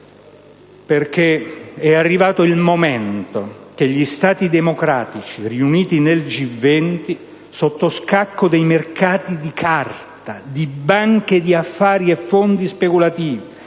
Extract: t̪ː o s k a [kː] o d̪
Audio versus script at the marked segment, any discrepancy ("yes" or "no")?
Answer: no